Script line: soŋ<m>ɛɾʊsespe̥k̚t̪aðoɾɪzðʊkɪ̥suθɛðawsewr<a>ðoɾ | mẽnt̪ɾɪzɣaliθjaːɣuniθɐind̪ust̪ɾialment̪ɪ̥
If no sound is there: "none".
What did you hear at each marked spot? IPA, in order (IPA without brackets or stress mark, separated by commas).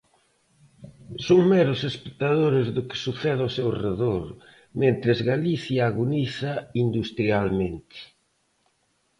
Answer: m, e